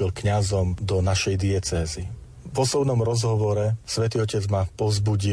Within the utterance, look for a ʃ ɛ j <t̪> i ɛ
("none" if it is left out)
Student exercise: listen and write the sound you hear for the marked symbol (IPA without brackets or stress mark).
d̪